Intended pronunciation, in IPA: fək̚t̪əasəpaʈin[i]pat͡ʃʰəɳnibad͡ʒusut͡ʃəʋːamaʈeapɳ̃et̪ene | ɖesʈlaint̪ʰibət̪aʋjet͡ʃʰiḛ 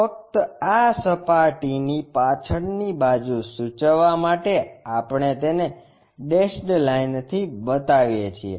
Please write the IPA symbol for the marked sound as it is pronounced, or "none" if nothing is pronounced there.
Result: i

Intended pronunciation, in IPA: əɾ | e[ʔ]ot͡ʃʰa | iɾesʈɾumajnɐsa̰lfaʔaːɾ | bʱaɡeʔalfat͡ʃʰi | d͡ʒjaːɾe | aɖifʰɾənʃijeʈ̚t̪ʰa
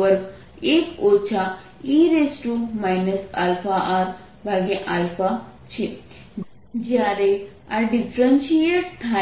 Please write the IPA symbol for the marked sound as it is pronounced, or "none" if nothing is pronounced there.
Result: k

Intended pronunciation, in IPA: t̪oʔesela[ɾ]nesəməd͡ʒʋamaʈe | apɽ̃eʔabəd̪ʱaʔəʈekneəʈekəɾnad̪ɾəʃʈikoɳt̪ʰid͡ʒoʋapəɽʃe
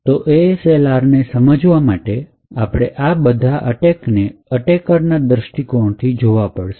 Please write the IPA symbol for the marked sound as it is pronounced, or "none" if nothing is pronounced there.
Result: ɾ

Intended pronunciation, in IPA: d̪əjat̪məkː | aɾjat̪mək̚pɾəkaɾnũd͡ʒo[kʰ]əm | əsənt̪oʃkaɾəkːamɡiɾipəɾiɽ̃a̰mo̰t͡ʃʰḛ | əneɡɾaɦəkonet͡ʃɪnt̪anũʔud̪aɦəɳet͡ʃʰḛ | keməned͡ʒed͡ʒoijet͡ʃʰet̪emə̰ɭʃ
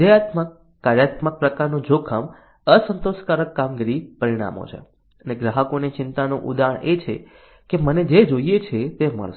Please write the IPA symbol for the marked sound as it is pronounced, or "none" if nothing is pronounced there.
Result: kʰ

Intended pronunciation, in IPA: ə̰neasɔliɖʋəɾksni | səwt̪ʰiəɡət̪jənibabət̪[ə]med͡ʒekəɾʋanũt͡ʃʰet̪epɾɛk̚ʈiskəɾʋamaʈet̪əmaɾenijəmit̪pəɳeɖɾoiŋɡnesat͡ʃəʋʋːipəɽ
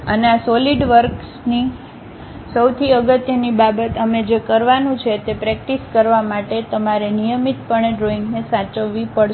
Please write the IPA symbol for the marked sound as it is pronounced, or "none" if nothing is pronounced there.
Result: ə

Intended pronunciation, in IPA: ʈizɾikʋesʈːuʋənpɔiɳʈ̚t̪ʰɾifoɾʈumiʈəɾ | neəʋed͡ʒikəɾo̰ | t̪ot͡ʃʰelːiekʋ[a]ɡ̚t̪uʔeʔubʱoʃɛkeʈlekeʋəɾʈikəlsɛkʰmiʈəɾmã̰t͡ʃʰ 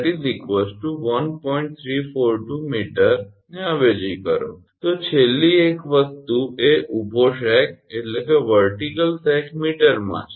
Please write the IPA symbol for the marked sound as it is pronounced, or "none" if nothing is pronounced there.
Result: ə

